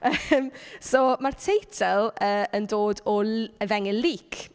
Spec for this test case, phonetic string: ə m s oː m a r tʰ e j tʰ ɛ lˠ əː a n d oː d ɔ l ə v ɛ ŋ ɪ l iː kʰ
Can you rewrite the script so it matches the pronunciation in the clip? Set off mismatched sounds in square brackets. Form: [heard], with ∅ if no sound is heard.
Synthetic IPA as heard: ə m s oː m a r tʰ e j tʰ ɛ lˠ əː [ə] n d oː d ɔ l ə v ɛ ŋ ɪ l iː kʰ